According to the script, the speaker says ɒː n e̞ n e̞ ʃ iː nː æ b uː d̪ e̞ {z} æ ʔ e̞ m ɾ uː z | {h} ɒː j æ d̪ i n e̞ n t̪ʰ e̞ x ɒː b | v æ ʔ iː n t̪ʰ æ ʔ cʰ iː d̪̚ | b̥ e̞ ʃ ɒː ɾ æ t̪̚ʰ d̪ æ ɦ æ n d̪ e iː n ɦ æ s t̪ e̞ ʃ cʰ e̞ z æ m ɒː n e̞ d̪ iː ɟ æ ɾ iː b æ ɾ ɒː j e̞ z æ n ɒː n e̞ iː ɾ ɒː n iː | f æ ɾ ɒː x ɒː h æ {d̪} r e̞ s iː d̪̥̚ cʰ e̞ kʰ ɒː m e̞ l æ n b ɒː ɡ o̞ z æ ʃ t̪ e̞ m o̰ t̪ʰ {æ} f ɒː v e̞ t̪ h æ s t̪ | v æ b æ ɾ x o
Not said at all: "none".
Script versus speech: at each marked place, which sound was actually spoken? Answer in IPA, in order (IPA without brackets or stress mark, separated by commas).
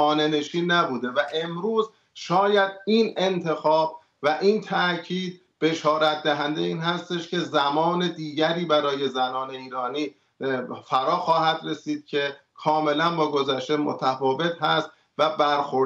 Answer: v, ʃ, d̪, æ